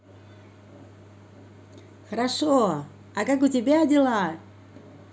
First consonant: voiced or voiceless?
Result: voiceless